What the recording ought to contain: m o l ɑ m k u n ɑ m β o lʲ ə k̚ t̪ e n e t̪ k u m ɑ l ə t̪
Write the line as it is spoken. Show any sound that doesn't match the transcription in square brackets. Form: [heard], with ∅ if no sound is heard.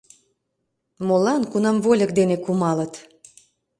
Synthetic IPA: m o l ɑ [n] k u n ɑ m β o lʲ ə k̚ [d̪] e n e [∅] k u m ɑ l ə t̪